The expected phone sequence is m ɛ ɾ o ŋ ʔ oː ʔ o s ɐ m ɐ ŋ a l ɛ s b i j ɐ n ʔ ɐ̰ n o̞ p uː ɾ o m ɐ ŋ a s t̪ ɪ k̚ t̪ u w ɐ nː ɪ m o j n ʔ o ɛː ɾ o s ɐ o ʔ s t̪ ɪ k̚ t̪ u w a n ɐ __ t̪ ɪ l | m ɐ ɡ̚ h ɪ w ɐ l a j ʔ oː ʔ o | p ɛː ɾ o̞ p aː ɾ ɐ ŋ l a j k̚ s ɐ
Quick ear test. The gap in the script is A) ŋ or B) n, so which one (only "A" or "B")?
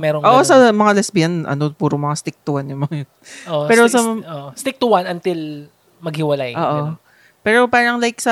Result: B